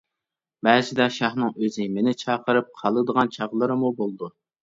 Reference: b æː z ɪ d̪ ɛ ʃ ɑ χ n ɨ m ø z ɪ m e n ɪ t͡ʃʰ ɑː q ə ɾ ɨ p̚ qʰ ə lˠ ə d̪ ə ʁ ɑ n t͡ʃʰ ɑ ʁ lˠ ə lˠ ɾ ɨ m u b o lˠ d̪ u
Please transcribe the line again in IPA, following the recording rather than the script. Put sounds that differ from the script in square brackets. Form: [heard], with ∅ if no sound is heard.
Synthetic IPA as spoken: b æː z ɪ d̪ ɛ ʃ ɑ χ n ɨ [ŋ] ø z ɪ m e n ɪ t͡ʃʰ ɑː q ə ɾ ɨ p̚ qʰ [ɑ] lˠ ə d̪ ə ʁ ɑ n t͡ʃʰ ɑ ʁ lˠ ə [∅] ɾ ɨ m u b o lˠ d̪ u